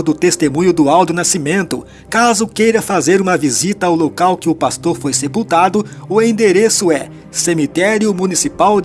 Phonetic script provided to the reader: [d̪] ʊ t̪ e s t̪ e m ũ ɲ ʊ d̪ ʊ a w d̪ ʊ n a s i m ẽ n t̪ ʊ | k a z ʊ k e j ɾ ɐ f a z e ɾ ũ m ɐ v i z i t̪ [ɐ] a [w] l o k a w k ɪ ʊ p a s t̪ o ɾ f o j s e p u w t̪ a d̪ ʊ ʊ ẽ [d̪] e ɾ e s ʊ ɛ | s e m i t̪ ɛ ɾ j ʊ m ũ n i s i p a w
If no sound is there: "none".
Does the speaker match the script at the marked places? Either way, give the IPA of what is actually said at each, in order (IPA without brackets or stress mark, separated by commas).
d̪, ɐ, w, d̪